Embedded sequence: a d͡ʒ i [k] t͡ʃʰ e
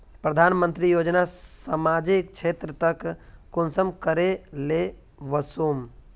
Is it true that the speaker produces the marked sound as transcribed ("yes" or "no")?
yes